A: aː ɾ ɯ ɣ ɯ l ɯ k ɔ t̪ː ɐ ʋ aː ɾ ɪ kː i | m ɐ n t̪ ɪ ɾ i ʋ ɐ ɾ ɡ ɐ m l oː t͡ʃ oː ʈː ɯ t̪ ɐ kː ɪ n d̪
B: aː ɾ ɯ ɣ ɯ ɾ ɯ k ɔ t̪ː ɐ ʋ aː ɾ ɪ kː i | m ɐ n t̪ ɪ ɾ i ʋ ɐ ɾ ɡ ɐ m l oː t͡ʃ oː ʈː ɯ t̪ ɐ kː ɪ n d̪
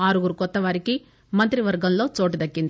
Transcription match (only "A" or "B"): B